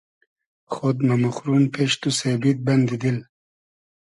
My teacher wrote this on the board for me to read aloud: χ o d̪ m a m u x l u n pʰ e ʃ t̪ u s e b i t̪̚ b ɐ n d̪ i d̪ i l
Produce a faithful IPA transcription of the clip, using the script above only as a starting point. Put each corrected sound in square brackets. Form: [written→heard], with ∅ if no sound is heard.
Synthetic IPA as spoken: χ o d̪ m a m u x [l→ɾ] u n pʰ e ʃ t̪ u s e b i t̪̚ b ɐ n d̪ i d̪ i l